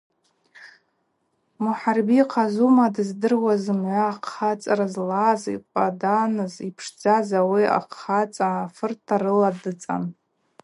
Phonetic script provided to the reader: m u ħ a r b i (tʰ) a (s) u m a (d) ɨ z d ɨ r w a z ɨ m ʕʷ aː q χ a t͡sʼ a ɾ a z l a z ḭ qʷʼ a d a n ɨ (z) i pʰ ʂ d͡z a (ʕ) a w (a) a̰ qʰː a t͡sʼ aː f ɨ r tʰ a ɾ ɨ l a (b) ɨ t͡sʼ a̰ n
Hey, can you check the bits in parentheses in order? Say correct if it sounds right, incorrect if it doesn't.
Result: incorrect: qʰ, incorrect: z, correct, correct, incorrect: z, incorrect: i, incorrect: d

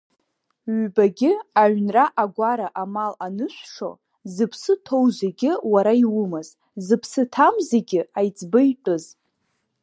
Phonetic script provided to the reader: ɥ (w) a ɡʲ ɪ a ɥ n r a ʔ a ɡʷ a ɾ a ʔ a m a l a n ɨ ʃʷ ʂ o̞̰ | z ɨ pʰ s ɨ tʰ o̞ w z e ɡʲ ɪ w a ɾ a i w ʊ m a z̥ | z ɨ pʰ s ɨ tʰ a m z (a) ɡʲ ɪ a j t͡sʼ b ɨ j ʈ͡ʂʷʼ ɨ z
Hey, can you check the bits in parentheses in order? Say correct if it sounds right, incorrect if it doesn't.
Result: incorrect: b, incorrect: e

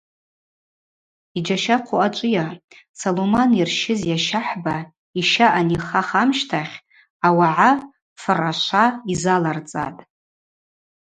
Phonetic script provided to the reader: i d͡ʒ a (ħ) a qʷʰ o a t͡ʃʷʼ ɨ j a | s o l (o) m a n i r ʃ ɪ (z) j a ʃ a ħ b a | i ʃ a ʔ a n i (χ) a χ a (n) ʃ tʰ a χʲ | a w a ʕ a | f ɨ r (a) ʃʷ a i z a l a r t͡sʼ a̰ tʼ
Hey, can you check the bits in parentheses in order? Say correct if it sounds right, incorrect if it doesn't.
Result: incorrect: ʃ, correct, correct, correct, incorrect: m, correct

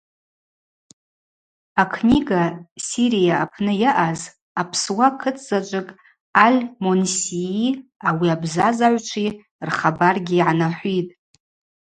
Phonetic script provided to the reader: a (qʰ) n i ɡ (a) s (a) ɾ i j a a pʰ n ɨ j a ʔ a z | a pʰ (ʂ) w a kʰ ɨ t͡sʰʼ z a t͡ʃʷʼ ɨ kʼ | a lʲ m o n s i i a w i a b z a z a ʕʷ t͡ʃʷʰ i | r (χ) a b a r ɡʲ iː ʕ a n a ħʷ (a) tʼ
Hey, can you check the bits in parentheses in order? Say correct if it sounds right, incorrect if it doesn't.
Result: incorrect: kʰ, correct, incorrect: i, incorrect: s, correct, incorrect: i

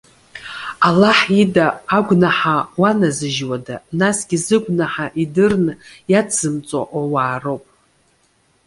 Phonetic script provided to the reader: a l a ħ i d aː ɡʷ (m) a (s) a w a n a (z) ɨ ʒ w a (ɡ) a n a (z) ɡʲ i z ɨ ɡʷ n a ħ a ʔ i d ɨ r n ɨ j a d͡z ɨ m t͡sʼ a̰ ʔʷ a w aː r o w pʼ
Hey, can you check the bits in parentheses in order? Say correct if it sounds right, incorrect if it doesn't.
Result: incorrect: n, incorrect: ħ, correct, incorrect: d, incorrect: s

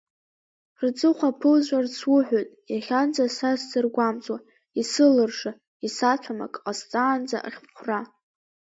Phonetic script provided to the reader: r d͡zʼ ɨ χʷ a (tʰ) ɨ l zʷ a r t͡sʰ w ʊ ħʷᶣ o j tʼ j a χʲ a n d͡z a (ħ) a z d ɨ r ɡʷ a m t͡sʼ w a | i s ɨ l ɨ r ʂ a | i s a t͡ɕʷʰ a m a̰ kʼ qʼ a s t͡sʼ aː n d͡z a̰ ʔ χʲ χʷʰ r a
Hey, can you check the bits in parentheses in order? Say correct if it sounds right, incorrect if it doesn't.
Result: incorrect: pʰ, incorrect: s

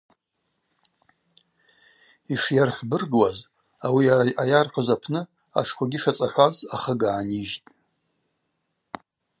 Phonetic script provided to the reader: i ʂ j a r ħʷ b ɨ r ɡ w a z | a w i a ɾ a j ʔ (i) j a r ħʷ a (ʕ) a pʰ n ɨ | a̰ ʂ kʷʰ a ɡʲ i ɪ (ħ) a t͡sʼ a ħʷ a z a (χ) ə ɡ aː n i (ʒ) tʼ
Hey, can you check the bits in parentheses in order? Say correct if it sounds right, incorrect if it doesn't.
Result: incorrect: a, incorrect: z, incorrect: ʂ, correct, correct

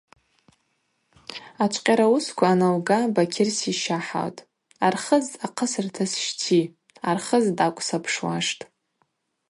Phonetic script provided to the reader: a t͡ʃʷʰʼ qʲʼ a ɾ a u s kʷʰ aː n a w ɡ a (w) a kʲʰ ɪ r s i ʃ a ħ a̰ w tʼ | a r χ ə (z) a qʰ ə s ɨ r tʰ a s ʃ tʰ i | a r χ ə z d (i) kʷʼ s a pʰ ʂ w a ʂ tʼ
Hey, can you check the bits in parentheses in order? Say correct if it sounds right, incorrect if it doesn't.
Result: incorrect: b, correct, incorrect: a

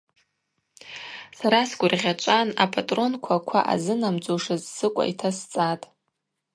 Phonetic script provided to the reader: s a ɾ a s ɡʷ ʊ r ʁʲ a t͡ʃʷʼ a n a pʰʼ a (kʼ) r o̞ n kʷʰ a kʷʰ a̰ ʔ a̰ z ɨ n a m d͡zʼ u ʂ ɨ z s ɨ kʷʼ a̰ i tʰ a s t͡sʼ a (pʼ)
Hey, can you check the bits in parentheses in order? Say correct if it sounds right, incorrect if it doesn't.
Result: incorrect: tʼ, incorrect: tʼ

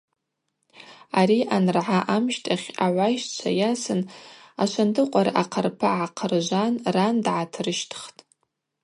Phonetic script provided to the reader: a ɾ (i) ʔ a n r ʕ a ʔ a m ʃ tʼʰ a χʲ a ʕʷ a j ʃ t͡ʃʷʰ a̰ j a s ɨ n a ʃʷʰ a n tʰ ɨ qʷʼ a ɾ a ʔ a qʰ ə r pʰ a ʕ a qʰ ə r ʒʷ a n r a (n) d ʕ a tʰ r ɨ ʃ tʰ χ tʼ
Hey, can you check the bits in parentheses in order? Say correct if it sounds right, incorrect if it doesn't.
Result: correct, correct

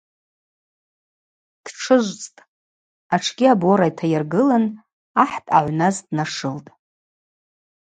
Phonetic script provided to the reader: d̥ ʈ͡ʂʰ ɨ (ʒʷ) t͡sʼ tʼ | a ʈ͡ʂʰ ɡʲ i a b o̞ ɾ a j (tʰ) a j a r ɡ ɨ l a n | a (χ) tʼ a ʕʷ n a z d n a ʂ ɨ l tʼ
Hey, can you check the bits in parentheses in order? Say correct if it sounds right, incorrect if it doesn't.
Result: correct, correct, incorrect: ħ

